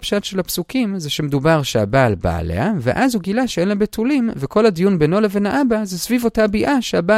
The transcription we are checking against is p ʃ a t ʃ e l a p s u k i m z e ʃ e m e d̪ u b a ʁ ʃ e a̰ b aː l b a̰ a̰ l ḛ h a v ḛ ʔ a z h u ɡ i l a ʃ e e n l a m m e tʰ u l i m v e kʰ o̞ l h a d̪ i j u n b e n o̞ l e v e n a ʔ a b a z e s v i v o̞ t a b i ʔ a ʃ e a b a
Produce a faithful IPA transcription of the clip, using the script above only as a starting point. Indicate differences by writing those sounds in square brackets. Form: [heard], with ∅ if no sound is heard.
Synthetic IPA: p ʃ a t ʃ e l a p s u k i m z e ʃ e m e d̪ u b a ʁ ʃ e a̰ b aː l b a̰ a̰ l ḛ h a v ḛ ʔ a z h u ɡ i l a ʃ e e n l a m [b] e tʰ u l i m v e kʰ o̞ l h a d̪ i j u n b e n o̞ l e v e n a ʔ a b a z e s v i v o̞ t a b i ʔ a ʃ e a b a